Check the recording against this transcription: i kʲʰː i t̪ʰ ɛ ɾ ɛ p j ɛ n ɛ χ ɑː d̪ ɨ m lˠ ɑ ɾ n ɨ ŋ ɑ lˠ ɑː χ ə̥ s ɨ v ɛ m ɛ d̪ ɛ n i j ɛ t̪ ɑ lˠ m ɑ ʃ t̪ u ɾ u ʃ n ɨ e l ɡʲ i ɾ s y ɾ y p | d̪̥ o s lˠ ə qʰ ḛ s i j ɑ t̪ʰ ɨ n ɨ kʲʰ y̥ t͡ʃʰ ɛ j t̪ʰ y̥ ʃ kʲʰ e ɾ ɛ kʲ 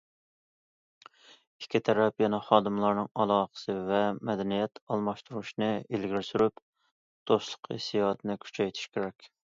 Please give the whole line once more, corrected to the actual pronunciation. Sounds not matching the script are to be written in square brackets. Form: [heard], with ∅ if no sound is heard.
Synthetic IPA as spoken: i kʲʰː i t̪ʰ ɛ ɾ ɛ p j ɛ n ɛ χ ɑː d̪ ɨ m lˠ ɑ ɾ n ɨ ŋ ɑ lˠ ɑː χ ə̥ s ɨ v ɛ m ɛ d̪ ɛ n i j ɛ t̪ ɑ lˠ m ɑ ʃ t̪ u ɾ u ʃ n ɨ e l ɡʲ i ɾ s y ɾ y p | d̪̥ o s lˠ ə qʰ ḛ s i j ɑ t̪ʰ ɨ n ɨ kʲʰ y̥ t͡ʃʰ ɛ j t̪ʰ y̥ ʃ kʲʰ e ɾ ɛ kʲ